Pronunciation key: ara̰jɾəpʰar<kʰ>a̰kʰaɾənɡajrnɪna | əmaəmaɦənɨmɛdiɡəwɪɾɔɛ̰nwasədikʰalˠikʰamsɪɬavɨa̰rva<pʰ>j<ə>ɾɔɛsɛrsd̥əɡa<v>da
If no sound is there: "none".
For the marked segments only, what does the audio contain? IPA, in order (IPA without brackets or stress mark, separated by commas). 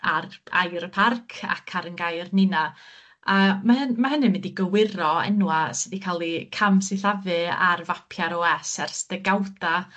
kʰ, pʰ, a, w